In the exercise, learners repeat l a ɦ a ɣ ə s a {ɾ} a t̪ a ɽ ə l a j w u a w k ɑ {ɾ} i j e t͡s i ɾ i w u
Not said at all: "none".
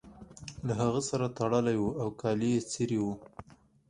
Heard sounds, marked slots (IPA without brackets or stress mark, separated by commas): ɾ, l